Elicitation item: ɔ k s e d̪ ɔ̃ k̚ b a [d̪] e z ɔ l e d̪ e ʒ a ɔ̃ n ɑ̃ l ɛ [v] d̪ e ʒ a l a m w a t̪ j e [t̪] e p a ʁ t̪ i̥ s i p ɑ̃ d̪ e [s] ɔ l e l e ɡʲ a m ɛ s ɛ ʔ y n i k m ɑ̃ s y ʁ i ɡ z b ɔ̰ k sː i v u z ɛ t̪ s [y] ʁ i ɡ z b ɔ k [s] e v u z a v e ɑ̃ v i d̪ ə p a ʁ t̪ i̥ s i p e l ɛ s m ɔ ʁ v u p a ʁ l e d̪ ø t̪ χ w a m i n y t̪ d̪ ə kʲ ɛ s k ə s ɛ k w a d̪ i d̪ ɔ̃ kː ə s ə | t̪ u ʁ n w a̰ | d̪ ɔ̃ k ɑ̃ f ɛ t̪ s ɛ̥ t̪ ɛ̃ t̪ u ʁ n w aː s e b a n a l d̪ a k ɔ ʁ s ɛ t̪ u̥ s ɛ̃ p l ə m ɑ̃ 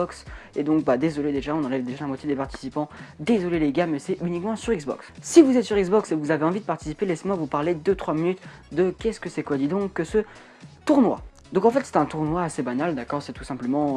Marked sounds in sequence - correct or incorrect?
correct, correct, incorrect, incorrect, correct, correct

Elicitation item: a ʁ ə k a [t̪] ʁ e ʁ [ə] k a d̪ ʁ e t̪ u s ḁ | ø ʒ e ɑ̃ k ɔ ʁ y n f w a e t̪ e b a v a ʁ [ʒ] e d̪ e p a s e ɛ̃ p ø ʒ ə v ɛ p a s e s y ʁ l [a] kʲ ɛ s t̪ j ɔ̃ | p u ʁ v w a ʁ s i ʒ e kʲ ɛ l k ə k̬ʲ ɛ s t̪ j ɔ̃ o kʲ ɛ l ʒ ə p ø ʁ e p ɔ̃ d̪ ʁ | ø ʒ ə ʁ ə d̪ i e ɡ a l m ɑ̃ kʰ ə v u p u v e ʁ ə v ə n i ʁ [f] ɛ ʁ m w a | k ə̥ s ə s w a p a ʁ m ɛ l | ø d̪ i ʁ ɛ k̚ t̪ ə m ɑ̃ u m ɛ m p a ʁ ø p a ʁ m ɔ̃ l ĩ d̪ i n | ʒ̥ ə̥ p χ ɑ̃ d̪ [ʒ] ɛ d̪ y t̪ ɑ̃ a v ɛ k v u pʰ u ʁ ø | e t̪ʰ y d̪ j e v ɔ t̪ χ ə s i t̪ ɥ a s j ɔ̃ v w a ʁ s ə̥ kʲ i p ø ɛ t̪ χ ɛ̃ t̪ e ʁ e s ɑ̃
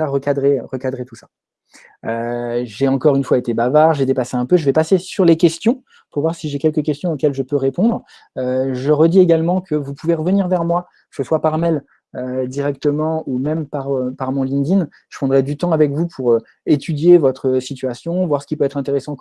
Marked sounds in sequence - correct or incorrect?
incorrect, correct, correct, incorrect, incorrect, incorrect

